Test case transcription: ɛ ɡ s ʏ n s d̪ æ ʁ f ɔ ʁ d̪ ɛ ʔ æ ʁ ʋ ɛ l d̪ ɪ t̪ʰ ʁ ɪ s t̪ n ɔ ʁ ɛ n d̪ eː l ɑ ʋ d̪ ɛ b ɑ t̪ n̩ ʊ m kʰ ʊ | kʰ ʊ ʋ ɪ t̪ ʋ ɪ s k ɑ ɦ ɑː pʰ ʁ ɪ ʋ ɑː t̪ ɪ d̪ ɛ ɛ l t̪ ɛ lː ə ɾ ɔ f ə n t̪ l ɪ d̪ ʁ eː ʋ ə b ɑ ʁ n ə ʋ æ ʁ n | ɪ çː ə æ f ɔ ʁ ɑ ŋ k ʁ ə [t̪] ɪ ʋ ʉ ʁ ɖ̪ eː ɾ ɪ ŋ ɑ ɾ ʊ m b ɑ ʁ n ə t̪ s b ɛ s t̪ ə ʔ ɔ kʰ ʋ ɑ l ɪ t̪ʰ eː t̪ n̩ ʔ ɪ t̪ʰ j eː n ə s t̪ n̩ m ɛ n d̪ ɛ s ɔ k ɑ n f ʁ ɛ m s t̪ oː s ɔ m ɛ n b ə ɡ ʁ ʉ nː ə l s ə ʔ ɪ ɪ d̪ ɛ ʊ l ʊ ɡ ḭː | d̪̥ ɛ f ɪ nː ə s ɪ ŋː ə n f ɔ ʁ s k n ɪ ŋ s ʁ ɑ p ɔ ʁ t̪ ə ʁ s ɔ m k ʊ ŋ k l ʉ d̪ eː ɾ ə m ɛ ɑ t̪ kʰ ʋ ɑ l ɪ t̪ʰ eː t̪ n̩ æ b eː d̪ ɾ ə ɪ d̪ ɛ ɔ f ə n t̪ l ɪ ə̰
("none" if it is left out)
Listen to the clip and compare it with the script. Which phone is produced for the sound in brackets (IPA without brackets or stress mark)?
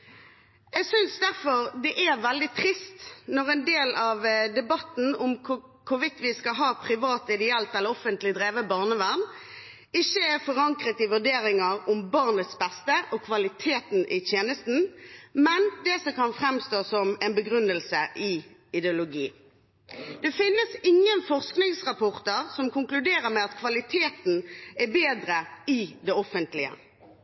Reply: t̪